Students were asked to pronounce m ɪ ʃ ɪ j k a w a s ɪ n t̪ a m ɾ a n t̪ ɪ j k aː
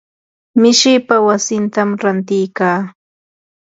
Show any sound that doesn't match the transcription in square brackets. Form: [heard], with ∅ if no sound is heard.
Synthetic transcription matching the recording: m ɪ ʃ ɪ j [p] a w a s ɪ n t̪ a m ɾ a n t̪ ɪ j k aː